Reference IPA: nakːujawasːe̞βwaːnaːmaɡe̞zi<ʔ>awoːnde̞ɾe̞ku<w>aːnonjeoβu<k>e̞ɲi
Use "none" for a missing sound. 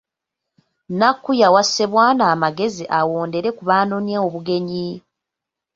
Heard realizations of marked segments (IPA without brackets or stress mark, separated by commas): ʔ, β, ɡ